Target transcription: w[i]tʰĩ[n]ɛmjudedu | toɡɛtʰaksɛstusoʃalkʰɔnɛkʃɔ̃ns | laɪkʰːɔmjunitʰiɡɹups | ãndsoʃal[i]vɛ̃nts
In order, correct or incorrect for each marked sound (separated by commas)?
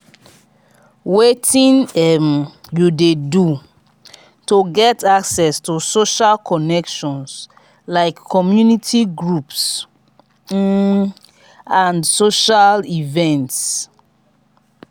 incorrect, correct, correct